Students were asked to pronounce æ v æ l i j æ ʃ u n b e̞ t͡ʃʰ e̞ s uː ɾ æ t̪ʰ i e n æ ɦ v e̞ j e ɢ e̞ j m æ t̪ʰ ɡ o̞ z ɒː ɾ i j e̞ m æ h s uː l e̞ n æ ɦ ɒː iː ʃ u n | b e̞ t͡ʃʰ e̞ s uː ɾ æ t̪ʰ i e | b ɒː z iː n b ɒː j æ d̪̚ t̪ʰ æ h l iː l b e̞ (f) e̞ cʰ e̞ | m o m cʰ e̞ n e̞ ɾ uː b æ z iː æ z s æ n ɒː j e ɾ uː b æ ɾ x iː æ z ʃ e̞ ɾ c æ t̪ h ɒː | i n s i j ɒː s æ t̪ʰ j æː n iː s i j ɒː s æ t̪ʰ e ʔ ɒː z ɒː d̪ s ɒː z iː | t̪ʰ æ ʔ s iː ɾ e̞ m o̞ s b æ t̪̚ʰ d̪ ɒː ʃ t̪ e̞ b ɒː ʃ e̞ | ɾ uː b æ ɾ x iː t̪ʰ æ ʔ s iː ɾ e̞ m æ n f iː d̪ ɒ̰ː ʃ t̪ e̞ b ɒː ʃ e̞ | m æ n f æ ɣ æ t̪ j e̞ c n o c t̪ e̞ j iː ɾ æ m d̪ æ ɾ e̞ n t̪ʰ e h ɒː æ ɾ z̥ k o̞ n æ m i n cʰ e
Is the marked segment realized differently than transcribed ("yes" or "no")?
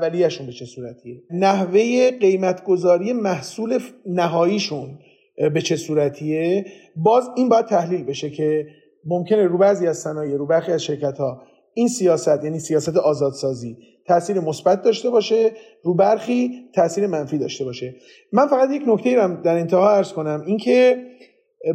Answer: yes